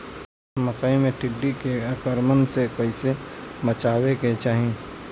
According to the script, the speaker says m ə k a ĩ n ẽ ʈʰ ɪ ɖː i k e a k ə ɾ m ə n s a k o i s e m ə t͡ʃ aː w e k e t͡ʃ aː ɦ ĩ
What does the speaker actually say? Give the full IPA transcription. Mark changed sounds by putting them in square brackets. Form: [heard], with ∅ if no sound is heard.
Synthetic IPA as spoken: m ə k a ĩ [m] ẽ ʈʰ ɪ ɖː i k e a k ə ɾ m ə n s [e] k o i s e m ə t͡ʃ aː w e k e t͡ʃ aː ɦ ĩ